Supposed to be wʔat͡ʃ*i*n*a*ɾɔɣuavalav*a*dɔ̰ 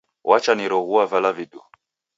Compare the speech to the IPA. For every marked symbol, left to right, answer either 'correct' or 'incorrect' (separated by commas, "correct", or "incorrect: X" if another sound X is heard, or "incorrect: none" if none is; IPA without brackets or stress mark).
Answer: incorrect: a, incorrect: i, incorrect: i